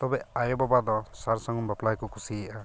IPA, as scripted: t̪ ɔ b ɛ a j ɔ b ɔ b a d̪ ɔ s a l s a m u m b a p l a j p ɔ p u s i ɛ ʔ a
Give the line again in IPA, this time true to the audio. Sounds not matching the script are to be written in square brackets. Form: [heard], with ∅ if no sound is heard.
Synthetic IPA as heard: t̪ ɔ b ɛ a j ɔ b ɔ b a d̪ ɔ s a [ɾ] s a [ŋ] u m b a p l a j [k] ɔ [k] u s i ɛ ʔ a